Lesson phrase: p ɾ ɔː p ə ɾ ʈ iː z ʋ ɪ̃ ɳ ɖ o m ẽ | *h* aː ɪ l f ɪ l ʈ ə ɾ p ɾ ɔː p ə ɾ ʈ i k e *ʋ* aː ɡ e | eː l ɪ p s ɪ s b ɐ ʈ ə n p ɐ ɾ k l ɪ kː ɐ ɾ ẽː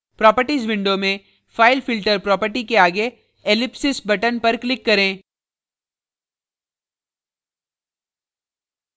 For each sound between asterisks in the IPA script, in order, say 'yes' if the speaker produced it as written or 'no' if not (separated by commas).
no, no